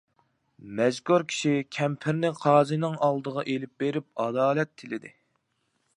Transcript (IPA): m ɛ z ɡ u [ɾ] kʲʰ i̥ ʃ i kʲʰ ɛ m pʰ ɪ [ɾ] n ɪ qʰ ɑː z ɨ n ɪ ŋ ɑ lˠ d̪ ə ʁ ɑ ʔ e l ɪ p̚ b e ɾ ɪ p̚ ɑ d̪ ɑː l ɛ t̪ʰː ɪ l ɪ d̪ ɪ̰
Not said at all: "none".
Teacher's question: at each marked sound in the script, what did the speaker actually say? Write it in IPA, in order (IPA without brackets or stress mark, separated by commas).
ɾ, ɾ